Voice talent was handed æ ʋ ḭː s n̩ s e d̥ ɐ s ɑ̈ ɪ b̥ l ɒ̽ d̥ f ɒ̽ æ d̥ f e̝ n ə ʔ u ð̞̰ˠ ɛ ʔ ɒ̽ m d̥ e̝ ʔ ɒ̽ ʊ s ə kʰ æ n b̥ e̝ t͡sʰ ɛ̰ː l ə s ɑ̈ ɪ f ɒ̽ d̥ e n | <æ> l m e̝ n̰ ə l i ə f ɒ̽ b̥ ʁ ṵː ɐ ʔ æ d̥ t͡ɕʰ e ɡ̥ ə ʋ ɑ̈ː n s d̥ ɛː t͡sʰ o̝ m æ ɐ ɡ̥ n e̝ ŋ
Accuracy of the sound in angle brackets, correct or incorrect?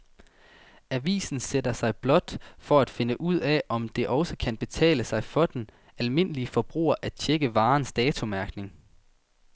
correct